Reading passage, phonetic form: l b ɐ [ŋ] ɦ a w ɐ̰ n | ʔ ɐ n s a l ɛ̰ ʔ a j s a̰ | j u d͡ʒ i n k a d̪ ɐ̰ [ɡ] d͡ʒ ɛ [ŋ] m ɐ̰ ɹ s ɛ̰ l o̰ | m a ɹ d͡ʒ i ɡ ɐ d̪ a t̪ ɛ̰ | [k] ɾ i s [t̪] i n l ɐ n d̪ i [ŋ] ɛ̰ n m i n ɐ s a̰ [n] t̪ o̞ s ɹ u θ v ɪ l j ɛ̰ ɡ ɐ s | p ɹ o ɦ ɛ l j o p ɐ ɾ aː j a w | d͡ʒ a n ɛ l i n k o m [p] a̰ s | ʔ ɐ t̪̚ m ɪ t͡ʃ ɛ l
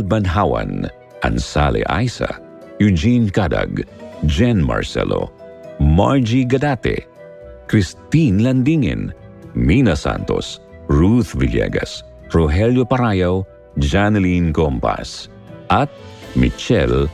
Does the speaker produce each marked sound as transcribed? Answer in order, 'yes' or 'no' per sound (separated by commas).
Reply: no, yes, no, yes, yes, yes, yes, yes